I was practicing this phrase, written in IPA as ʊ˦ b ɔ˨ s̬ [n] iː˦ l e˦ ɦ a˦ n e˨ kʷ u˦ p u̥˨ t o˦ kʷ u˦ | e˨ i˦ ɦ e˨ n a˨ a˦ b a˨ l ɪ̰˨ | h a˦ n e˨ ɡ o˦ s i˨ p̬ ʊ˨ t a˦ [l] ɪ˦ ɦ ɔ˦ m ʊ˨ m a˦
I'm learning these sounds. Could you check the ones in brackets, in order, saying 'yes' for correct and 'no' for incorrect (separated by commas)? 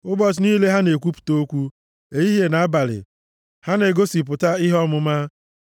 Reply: yes, no